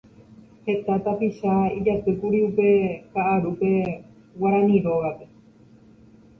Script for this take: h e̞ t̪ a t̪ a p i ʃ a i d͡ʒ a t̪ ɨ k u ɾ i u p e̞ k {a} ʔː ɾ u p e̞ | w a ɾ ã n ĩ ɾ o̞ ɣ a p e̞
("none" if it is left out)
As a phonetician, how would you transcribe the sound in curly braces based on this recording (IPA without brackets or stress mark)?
a